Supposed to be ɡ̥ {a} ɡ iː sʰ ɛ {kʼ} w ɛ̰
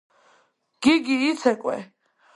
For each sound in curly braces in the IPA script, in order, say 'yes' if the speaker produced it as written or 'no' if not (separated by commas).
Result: no, yes